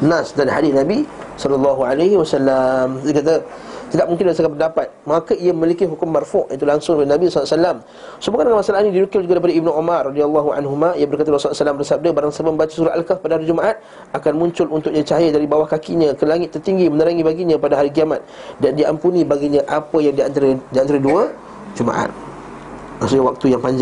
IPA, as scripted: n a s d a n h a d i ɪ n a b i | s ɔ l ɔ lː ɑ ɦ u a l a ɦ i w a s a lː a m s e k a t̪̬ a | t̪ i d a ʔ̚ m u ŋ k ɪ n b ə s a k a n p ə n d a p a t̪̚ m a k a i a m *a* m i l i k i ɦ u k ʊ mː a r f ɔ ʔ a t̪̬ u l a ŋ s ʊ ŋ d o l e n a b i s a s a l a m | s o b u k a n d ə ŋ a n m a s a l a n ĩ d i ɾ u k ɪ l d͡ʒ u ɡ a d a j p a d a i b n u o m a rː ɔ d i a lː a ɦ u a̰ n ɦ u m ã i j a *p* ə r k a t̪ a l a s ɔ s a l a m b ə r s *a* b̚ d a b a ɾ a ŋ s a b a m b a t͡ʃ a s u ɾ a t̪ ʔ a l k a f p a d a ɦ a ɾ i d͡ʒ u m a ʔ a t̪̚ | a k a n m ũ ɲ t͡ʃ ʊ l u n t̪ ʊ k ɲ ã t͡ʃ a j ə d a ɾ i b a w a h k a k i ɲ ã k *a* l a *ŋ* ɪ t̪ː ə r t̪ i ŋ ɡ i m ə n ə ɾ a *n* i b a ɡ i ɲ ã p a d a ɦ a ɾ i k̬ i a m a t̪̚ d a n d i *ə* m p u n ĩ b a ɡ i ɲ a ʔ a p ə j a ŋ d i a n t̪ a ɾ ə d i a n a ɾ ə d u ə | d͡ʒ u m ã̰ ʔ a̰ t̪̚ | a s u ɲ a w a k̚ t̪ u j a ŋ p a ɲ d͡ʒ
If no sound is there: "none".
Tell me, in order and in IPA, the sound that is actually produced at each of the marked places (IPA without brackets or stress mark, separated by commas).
ə, b, a, ə, ŋ, ŋ, a